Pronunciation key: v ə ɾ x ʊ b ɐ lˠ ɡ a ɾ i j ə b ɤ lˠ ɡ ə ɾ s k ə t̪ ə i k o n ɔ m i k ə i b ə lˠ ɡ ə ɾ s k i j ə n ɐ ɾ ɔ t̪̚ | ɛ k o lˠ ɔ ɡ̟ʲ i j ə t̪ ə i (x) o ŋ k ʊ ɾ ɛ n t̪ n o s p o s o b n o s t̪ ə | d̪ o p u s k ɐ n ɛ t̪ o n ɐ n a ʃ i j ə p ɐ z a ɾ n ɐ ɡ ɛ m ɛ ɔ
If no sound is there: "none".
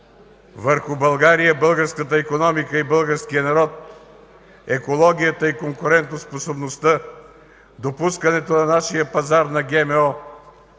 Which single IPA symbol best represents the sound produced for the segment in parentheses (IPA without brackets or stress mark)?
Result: k